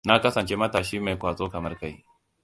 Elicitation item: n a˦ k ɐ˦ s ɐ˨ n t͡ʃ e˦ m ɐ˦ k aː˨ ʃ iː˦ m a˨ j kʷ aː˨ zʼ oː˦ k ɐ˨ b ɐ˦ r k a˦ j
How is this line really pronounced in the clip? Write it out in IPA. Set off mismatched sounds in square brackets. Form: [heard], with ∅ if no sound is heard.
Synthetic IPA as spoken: n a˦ k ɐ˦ s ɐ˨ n t͡ʃ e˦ m ɐ˦ [t] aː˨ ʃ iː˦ m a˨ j kʷ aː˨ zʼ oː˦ k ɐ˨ [m] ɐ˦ r k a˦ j

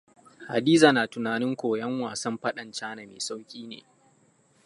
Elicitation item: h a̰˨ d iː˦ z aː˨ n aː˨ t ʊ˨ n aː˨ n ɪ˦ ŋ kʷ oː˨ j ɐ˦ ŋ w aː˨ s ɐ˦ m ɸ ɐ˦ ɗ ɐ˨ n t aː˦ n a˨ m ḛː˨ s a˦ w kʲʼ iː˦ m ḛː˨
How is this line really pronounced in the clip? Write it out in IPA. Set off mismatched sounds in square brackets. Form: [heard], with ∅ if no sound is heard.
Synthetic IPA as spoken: h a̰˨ d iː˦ z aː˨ n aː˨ t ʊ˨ n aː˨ n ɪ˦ ŋ kʷ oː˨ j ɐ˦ ŋ w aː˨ s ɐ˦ m ɸ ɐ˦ ɗ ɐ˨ n [t͡ʃ] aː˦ n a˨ m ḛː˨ s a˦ w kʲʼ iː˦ [n] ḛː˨

